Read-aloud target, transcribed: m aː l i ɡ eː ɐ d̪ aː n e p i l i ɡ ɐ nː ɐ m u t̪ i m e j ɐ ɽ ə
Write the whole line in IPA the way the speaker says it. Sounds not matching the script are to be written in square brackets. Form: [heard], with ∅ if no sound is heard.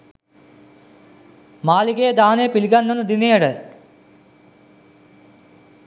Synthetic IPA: m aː l i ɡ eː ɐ d̪ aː n e p i l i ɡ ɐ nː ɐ [n] u [d̪] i [n] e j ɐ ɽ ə